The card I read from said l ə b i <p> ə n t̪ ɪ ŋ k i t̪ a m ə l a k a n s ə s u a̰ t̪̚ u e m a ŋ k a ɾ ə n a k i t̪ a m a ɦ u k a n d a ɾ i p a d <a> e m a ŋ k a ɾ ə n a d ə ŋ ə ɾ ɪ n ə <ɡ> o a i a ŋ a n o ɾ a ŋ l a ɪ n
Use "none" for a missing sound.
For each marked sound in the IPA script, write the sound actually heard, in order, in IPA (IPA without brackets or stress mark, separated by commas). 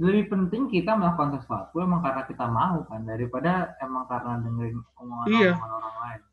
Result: p, a, ŋ